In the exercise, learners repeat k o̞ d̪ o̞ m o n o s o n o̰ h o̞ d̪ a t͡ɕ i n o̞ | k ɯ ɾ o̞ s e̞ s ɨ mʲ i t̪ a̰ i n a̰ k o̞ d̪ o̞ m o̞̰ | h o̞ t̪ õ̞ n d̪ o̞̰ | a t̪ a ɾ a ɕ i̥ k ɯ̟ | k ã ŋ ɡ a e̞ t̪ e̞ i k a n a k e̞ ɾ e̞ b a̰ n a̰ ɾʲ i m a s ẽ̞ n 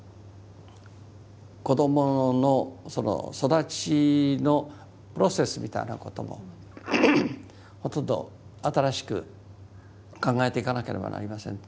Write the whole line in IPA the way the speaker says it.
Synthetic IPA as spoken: k o̞ d̪ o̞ m o n o s o n o̰ s o̞ d̪ a t͡ɕ i n o̞ | p ɯ ɾ o̞ s e̞ s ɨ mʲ i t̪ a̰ i n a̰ k o̞ t̪ o̞ m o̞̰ | h o̞ t̪ õ̞ n d̪ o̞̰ | a t̪ a ɾ a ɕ i̥ k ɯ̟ | k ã ŋ ɡ a e̞ t̪ e̞ i k a n a k e̞ ɾ e̞ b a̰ n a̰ ɾʲ i m a s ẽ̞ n